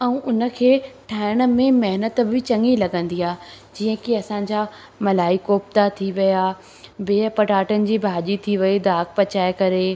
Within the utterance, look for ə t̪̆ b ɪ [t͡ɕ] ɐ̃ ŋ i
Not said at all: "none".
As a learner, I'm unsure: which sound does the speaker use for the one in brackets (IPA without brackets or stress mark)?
t͡ɕ